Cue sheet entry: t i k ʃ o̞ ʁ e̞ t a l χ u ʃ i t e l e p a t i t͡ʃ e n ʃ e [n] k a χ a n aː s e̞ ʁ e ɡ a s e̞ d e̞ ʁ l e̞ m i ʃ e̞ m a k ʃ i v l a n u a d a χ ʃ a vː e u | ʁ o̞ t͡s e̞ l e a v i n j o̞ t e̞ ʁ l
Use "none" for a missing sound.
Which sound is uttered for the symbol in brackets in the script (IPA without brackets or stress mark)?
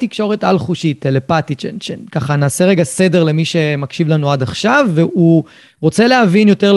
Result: n